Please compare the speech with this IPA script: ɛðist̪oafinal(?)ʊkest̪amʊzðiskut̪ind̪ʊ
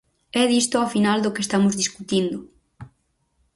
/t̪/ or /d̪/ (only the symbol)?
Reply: d̪